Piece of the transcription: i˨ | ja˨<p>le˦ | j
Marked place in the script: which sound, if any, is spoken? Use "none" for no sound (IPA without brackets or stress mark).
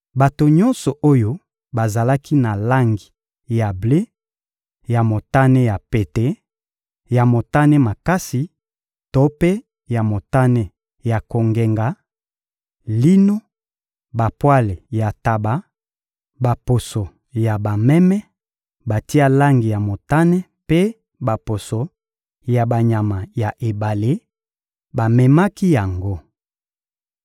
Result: b